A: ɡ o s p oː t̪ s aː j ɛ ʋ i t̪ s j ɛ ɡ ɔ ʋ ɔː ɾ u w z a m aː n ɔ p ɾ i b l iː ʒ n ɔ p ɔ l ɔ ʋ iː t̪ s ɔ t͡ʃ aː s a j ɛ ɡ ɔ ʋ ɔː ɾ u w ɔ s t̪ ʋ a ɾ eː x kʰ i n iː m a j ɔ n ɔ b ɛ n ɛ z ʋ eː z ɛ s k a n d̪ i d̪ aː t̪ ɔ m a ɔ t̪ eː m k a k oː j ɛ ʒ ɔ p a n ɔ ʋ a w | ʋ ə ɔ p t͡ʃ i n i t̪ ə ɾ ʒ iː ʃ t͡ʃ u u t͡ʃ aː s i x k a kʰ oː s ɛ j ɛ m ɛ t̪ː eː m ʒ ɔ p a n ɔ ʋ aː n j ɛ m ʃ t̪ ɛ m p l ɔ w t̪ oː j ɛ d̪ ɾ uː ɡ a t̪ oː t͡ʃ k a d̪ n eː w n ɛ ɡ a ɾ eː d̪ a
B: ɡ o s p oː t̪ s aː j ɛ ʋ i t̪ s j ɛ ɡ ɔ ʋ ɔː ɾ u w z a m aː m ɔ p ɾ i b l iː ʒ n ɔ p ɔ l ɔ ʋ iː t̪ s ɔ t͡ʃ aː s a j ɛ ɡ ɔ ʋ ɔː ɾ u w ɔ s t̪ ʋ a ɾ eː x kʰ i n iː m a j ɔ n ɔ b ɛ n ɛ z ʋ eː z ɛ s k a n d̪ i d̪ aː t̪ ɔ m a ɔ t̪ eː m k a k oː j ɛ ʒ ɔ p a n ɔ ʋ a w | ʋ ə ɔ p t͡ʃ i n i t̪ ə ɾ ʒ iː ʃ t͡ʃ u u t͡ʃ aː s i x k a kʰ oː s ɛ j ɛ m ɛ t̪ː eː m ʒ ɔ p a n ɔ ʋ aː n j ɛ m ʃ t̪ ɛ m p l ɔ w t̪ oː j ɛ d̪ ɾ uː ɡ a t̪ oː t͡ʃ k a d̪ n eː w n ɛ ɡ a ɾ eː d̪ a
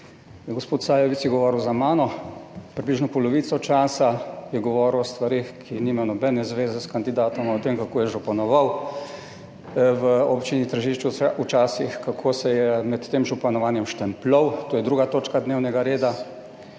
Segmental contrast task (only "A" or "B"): A